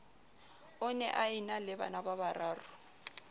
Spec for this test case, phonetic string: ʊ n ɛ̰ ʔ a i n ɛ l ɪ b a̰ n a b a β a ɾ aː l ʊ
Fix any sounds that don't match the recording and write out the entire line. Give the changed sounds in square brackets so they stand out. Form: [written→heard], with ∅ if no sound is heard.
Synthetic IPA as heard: ʊ n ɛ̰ ʔ a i n [ɛ→a] l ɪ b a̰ n a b a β a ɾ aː [l→r] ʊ